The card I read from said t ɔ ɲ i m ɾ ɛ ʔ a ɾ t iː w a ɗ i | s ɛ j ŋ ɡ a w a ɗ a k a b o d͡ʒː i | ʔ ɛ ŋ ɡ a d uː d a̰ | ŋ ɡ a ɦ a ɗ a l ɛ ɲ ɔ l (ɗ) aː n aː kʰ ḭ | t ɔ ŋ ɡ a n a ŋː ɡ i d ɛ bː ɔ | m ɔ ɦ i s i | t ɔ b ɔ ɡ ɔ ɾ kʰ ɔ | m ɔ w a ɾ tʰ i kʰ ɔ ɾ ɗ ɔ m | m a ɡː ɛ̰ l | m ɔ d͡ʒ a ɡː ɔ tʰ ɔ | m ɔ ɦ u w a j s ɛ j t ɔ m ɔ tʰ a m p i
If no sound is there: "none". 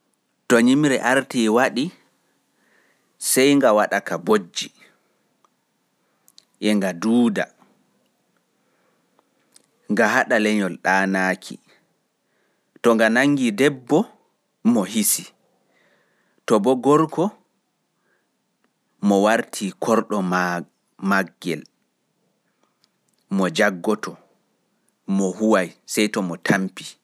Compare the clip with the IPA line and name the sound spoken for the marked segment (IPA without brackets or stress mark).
ɗ